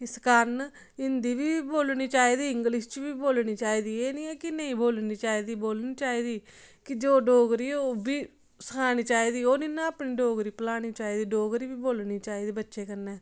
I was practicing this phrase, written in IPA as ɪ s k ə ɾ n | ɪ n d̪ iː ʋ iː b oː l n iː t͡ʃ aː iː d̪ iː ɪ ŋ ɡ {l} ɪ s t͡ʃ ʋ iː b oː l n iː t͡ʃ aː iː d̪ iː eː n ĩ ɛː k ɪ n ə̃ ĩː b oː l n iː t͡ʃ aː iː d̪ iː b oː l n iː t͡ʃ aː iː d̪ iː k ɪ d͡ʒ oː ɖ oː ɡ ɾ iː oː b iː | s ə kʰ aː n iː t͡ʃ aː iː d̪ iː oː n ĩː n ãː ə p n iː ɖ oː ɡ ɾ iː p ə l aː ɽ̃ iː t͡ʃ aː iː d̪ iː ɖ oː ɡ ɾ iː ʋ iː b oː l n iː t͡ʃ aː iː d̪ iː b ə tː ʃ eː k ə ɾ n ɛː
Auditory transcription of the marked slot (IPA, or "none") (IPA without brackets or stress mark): l